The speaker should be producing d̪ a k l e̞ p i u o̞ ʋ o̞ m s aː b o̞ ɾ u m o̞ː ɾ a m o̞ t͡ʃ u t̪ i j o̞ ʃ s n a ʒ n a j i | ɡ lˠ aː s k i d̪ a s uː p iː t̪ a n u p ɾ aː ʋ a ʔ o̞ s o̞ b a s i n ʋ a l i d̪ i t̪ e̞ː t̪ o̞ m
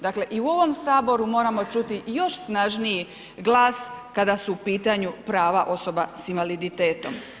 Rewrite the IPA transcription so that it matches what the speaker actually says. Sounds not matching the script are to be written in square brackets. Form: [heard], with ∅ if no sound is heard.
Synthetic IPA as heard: d̪ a k l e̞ [ʔ] i u o̞ ʋ o̞ m s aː b o̞ ɾ u m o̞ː ɾ a m o̞ t͡ʃ u t̪ i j o̞ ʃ s n a ʒ n [i] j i | ɡ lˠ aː s k [a] d̪ a s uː p iː t̪ a [ɲ] u p ɾ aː ʋ a ʔ o̞ s o̞ b a s i n ʋ a l i d̪ i t̪ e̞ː t̪ o̞ m